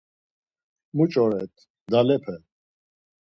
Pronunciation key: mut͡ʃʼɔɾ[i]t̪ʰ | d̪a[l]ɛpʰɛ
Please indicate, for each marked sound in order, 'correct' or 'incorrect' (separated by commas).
incorrect, correct